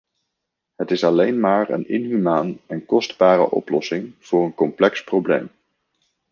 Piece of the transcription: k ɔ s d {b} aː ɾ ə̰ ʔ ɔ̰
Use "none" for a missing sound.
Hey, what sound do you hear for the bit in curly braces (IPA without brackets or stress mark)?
b